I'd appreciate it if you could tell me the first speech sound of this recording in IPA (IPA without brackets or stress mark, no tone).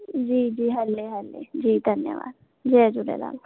d͡ʒ